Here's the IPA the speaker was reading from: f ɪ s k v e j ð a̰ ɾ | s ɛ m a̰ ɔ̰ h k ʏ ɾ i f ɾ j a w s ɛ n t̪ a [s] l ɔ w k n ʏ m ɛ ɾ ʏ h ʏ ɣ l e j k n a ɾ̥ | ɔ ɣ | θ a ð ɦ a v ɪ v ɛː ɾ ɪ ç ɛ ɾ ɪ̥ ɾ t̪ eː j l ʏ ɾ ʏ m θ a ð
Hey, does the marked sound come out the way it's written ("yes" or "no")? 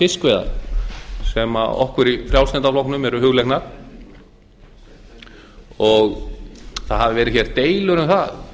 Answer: no